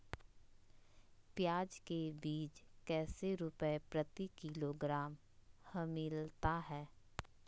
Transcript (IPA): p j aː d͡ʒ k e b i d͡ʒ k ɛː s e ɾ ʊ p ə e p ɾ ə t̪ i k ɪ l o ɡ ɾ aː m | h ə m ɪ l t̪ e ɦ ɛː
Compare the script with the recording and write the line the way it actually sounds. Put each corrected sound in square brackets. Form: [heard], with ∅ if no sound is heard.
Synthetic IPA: p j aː d͡ʒ k e b [iː] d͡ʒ k ɛː s e ɾ ʊ p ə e p ɾ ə t̪ i k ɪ l o ɡ ɾ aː m | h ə m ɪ l t̪ [a] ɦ ɛː

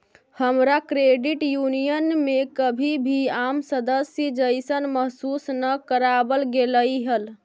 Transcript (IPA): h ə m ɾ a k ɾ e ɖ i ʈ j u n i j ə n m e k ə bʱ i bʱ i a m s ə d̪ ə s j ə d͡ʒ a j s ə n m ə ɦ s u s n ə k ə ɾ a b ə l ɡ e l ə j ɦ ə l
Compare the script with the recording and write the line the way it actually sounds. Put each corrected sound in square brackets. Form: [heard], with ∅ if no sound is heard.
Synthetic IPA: h ə m ɾ a k ɾ e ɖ i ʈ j u n i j ə n m e k ə bʱ i bʱ i a m s ə d̪ ə s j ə d͡ʒ [ə] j s ə n m ə ɦ s u s n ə k ə ɾ a b ə l ɡ e l ə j ɦ ə l

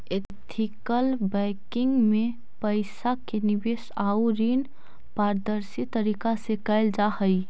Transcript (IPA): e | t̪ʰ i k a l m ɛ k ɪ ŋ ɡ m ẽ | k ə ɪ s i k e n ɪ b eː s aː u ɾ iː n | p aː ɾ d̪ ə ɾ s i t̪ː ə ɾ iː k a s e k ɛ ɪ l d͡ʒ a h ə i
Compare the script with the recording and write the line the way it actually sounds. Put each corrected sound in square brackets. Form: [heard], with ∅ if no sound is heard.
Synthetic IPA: e | t̪ʰ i k [ə] l [b] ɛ k ɪ ŋ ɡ m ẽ | [p] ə ɪ s [a] k e n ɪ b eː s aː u ɾ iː n | p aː ɾ d̪ ə ɾ s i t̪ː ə ɾ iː k a s e k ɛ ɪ l d͡ʒ a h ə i

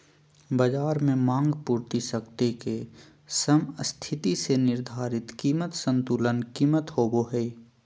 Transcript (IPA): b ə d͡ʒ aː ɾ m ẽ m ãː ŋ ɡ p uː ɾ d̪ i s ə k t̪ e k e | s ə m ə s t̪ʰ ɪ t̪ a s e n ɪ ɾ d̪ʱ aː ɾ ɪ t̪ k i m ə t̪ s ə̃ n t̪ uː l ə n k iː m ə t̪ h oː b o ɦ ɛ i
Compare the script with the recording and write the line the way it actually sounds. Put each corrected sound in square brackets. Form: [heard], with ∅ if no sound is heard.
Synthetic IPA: b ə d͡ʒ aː ɾ m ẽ m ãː ŋ ɡ p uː ɾ [t̪] i s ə k t̪ e k e | s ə m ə s t̪ʰ ɪ t̪ [i] s e n ɪ ɾ d̪ʱ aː ɾ ɪ t̪ k [iː] m ə t̪ s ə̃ n t̪ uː l ə n k iː m ə t̪ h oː b o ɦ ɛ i

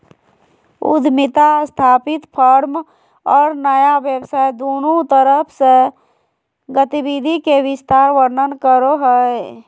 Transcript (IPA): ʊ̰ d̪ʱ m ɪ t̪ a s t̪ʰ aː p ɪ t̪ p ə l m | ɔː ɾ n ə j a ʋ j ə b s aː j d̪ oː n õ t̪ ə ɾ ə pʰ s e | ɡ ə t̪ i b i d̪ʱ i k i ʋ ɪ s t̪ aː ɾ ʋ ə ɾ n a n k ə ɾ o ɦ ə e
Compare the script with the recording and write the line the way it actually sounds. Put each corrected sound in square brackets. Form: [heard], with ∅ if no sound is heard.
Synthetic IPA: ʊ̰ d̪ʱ m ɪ t̪ a s t̪ʰ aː p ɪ t̪ [pʰ] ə [ɾ] m | ɔː ɾ n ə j a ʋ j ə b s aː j d̪ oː n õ t̪ ə ɾ ə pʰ s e | ɡ ə t̪ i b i d̪ʱ i k [e] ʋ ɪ s t̪ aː ɾ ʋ ə ɾ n [ə] n k ə ɾ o ɦ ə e

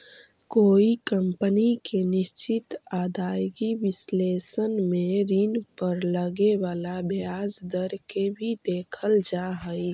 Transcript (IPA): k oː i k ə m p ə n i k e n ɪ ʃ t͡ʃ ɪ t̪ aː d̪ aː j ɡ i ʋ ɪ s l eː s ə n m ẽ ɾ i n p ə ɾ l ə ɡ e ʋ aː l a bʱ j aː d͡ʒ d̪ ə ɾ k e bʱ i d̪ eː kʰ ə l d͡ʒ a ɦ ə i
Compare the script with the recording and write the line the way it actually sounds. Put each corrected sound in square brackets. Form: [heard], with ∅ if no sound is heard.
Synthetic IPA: k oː i k ə m p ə n i k e n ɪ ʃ t͡ʃ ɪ t̪ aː d̪ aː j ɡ i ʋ ɪ s l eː s ə n m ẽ ɾ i n p ə ɾ l ə ɡ e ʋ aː l a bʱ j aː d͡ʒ d̪ ə ɾ k e bʱ i d̪ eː kʰ ə l d͡ʒ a ɦ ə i

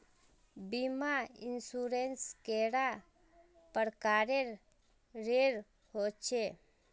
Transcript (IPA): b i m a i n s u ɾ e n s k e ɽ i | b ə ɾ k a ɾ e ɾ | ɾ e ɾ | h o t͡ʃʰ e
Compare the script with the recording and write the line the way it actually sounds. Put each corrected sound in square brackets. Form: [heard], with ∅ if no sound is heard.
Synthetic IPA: b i m a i n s u ɾ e n s k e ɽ [a] | [p] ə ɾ k a ɾ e ɾ | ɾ e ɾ | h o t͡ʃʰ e

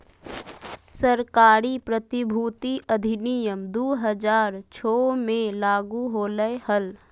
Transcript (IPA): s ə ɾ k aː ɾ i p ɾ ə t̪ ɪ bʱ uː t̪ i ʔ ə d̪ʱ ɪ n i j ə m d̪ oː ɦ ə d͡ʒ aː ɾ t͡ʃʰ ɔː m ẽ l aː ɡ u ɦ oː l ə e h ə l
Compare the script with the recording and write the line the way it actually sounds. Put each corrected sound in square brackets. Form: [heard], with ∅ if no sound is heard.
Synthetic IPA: s ə ɾ k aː ɾ i p ɾ ə t̪ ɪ bʱ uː t̪ i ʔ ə d̪ʱ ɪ n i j ə m d̪ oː ɦ ə d͡ʒ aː ɾ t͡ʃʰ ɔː m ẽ l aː ɡ u ɦ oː l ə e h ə l

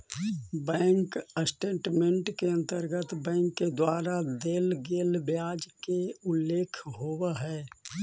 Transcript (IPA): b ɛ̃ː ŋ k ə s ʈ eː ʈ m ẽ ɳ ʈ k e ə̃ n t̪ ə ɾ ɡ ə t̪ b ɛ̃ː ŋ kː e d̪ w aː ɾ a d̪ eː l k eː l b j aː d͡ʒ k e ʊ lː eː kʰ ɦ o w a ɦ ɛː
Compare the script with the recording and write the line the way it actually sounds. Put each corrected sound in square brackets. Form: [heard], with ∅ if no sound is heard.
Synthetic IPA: b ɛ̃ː ŋ k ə s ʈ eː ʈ m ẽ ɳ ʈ k e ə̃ n t̪ ə ɾ ɡ ə t̪ b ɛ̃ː ŋ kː e d̪ w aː ɾ a d̪ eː l [ɡ] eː l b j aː d͡ʒ k e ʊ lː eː kʰ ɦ o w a ɦ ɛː

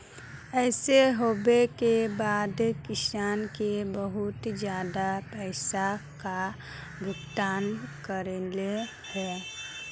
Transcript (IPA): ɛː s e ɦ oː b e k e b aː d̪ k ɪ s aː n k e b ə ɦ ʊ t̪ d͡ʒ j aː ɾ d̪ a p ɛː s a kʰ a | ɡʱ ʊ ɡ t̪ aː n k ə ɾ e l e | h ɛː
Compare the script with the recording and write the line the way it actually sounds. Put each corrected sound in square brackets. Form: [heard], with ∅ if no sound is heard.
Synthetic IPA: ɛː s e ɦ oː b e k e b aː d̪ k ɪ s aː n k e b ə ɦ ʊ t̪ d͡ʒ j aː [∅] d̪ a p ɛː s a [k] a | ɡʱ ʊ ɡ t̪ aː n k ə ɾ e l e | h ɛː

